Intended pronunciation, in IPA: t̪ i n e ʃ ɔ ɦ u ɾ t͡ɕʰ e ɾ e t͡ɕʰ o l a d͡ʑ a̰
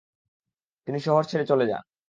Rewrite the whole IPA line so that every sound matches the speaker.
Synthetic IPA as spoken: t̪ i n i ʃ ɔ ɦ o ɾ t͡ɕʰ e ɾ e t͡ɕ o l e d͡ʑ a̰